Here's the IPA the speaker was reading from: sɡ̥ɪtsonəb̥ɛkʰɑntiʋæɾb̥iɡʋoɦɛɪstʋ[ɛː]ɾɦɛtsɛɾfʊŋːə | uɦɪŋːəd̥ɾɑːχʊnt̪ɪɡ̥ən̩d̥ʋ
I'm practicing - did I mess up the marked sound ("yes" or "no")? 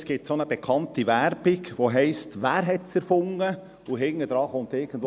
yes